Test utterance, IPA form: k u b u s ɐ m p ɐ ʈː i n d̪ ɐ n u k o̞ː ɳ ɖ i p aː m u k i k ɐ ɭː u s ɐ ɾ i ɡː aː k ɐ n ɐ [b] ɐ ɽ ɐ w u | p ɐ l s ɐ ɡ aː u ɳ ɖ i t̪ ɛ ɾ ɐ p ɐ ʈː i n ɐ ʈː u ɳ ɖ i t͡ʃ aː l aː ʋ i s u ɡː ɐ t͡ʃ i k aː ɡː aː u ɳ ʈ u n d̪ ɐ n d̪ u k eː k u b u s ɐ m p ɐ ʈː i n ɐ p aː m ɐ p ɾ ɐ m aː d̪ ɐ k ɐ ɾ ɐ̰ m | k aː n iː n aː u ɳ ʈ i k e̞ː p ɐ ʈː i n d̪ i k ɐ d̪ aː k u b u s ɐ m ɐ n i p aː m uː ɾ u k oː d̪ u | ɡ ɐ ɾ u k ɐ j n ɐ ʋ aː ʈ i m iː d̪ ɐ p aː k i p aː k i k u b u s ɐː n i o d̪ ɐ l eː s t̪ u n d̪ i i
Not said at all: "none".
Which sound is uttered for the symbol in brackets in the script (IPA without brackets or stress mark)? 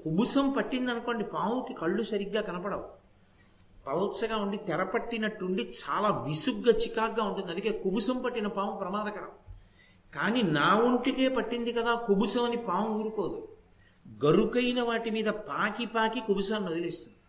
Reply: p